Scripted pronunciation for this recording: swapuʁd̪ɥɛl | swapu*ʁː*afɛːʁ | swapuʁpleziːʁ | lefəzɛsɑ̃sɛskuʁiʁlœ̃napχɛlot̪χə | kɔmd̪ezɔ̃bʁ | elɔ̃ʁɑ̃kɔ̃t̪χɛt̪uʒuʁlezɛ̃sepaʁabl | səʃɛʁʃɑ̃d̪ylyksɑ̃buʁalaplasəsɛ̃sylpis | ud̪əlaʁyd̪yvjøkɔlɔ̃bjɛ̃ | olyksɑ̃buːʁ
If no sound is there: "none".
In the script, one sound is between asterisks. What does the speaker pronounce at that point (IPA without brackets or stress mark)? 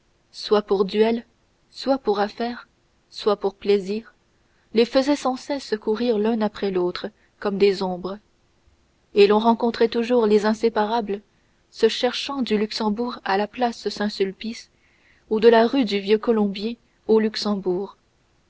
ʁ